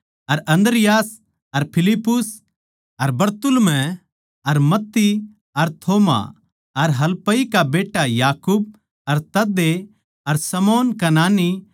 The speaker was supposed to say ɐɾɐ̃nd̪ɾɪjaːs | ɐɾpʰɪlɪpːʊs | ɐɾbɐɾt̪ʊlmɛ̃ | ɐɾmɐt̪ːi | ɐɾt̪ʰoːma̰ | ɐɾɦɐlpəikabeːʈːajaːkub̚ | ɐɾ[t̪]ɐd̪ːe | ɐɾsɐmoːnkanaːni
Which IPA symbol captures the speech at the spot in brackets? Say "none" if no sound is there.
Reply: t̪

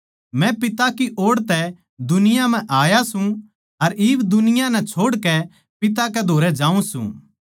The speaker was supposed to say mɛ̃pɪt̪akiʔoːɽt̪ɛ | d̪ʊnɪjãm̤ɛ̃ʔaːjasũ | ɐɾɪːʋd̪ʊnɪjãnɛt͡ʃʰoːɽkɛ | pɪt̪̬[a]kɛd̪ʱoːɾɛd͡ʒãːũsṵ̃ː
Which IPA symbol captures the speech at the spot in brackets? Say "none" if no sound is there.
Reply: a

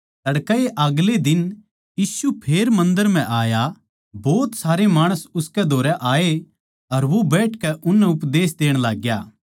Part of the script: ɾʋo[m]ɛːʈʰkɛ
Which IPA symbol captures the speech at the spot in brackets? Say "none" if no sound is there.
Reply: b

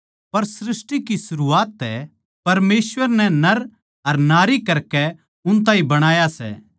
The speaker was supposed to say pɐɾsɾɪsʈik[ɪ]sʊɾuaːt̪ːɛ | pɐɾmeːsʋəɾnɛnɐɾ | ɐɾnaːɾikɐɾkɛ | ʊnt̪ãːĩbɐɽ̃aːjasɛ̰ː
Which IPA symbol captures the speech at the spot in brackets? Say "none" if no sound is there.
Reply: i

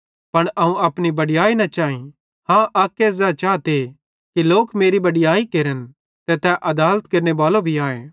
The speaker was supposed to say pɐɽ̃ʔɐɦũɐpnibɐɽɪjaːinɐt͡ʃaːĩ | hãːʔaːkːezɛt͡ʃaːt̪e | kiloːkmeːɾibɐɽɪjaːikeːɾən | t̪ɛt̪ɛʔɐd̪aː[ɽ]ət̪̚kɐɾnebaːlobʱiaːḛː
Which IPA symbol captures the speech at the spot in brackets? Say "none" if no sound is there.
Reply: l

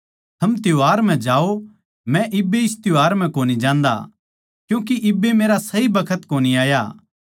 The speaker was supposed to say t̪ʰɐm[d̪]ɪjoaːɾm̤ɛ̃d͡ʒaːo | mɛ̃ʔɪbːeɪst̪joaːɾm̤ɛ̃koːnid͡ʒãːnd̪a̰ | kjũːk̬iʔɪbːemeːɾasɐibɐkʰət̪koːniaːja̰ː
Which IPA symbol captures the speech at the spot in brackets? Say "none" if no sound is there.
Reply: t̪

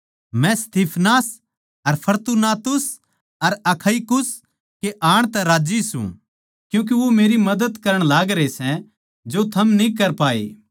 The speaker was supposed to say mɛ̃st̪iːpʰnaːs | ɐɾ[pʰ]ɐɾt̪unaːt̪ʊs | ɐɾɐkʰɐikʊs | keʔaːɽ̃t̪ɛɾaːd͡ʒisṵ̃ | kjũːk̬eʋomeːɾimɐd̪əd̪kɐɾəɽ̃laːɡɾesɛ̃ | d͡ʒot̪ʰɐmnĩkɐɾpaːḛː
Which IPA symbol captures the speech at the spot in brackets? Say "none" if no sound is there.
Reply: pʰ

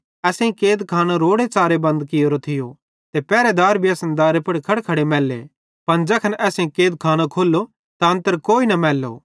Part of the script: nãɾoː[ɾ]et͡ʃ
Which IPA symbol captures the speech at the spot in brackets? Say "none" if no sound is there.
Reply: ɽ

